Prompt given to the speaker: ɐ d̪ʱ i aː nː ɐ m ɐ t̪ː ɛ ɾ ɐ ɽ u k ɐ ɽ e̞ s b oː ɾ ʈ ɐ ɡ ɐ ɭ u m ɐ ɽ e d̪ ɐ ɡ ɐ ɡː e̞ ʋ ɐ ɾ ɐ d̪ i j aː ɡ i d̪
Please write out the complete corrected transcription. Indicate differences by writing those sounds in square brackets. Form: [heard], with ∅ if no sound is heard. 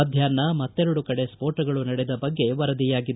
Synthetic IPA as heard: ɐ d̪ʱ [j] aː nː ɐ m ɐ t̪ː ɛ ɾ ɐ ɽ u k ɐ ɽ e̞ s [p] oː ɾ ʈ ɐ ɡ ɐ ɭ u [n] ɐ ɽ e d̪ ɐ [b] ɐ ɡː e̞ ʋ ɐ ɾ ɐ d̪ i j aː ɡ i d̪